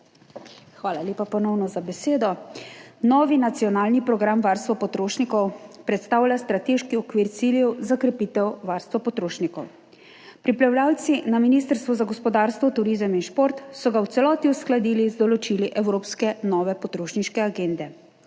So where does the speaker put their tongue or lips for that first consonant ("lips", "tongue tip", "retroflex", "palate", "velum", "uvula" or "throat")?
velum